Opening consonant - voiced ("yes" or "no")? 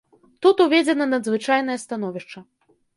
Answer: no